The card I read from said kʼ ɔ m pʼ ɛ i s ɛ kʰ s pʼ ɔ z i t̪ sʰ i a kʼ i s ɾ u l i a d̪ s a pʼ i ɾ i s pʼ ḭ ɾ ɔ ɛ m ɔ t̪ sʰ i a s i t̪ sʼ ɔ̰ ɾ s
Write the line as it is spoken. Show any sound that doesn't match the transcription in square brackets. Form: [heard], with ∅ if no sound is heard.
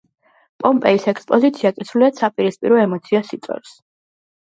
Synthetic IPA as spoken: [pʼ] ɔ m pʼ ɛ i s ɛ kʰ s pʼ ɔ z i t̪ sʰ i a kʼ i s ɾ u l i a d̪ s a pʼ i ɾ i s pʼ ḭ ɾ ɔ ɛ m ɔ t̪ sʰ i a s i t̪ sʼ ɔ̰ ɾ s